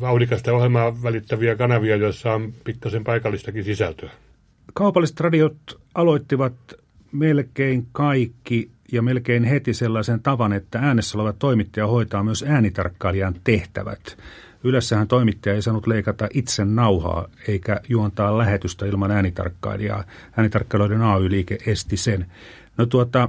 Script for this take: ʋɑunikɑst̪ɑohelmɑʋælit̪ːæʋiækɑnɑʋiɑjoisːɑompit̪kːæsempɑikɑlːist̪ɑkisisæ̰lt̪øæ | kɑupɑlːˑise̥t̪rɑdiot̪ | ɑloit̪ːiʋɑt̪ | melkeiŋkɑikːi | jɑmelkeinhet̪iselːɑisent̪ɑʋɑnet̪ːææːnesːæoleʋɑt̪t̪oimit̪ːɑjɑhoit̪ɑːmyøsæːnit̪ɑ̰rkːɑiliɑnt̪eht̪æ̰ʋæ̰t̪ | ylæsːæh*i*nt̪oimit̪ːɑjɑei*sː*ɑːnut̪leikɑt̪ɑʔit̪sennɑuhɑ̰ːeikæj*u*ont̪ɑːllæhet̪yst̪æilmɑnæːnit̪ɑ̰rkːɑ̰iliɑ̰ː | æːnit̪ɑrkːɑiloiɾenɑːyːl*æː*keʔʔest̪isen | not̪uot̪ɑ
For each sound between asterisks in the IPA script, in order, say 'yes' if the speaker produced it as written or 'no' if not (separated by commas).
no, no, yes, no